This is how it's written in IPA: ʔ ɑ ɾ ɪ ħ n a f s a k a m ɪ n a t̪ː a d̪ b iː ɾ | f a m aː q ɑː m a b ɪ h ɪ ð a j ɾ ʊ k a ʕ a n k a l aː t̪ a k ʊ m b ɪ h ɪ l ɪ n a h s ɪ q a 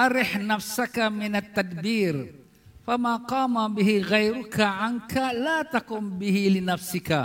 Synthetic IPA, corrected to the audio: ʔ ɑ ɾ ɪ ħ n a f s a k a m ɪ n a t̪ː a d̪ b iː ɾ | f a m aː q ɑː m a b ɪ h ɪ ɣ a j ɾ ʊ k a ʕ a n k a l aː t̪ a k ʊ m b ɪ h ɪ l ɪ n a f s ɪ k a